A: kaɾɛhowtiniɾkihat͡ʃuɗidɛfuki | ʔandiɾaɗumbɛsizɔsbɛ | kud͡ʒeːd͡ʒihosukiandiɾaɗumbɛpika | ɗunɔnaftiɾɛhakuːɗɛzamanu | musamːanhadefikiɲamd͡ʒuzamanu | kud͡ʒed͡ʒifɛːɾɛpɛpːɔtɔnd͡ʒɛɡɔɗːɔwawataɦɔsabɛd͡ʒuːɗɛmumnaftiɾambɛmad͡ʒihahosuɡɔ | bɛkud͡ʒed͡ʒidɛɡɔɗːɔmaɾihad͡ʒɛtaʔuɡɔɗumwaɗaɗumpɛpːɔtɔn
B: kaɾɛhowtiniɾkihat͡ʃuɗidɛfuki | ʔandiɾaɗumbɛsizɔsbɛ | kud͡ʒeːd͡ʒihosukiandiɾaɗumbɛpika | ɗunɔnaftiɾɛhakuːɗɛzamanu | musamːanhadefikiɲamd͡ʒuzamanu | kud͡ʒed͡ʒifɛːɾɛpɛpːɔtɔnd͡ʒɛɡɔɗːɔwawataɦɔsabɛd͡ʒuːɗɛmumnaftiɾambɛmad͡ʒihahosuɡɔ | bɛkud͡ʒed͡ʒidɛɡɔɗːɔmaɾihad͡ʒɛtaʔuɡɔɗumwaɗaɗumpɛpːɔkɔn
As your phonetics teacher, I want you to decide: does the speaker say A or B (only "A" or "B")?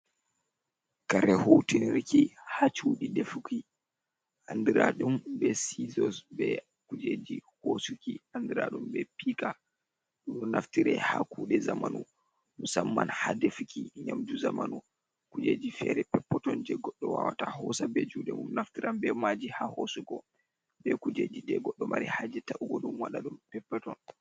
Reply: A